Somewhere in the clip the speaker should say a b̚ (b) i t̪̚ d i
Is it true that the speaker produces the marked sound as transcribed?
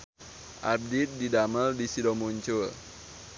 no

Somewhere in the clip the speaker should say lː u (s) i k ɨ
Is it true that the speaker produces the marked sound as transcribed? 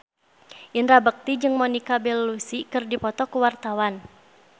yes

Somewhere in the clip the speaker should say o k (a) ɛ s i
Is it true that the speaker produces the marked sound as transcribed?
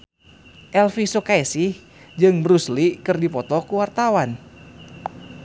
yes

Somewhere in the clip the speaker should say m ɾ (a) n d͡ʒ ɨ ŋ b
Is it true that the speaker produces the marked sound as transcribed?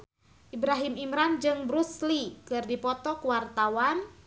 yes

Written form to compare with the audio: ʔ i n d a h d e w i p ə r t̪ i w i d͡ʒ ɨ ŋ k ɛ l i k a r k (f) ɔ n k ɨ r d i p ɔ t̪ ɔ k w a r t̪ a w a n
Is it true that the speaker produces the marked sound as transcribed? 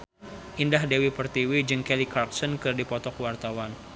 no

